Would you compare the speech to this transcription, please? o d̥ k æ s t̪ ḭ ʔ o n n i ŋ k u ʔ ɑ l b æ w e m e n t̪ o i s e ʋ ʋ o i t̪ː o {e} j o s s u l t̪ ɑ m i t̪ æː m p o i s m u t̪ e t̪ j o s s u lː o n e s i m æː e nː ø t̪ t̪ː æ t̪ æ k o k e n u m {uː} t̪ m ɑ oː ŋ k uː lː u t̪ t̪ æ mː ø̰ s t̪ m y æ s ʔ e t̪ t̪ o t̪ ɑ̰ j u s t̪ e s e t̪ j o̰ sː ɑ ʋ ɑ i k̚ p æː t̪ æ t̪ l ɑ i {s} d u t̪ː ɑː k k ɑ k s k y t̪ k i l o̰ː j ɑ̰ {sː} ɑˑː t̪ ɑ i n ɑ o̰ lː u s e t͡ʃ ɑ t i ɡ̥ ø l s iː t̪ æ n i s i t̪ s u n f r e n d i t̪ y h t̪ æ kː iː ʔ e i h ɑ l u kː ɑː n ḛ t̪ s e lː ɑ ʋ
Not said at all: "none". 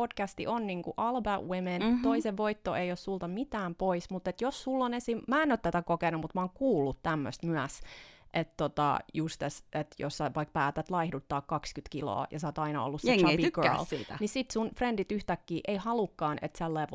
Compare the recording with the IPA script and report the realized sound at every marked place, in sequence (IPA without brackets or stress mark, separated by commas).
e, u, h, s